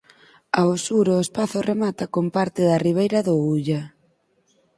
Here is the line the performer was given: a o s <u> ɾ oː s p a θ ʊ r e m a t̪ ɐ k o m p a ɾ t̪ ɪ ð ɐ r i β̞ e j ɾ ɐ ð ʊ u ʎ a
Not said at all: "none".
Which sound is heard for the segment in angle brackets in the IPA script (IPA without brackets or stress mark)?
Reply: u